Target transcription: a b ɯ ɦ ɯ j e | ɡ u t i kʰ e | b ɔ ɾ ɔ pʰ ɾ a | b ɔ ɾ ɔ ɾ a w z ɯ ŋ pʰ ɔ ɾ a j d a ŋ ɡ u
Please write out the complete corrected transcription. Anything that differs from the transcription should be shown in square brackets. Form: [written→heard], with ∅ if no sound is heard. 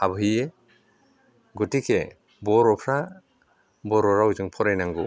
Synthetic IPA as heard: a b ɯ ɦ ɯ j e | ɡ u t i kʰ e | b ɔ ɾ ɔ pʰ ɾ a | b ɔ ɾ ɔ ɾ a w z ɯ ŋ pʰ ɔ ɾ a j [d→n] a ŋ ɡ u